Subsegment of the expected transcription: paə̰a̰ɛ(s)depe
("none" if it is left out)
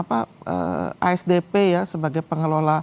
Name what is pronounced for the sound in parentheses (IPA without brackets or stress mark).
s